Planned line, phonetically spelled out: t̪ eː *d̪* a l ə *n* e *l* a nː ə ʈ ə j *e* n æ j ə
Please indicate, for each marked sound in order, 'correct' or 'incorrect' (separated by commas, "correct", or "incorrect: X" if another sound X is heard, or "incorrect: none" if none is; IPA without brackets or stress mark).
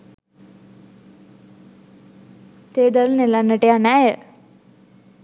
correct, correct, correct, incorrect: a